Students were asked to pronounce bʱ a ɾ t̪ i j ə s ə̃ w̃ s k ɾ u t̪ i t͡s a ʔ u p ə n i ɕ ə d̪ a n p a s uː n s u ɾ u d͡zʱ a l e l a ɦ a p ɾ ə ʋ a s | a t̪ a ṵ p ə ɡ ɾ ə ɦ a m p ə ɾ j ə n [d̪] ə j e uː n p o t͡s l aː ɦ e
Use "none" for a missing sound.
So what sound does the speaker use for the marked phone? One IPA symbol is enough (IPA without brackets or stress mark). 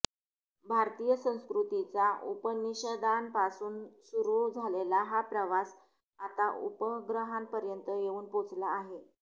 t̪